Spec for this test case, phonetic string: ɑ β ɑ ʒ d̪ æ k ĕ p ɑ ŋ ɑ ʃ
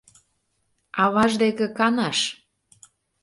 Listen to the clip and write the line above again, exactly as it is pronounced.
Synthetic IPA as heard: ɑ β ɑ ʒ d̪ e k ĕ k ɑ n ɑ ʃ